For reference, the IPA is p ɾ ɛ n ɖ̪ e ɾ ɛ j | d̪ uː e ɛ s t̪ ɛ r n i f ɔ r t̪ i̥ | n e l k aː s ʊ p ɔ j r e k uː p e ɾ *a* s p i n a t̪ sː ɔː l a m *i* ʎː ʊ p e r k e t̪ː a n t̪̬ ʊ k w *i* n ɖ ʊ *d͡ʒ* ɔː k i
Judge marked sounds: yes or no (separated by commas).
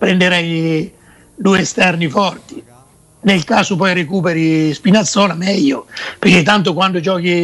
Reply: no, no, no, yes